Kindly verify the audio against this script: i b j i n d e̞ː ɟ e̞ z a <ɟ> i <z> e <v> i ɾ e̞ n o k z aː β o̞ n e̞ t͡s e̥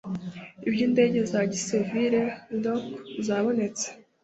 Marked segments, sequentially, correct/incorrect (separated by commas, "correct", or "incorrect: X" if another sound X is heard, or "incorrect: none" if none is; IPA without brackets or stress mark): correct, incorrect: s, correct